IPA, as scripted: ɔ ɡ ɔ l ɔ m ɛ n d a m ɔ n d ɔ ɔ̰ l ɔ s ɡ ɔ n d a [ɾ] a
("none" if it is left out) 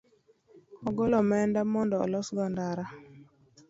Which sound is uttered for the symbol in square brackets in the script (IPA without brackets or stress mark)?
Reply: ɾ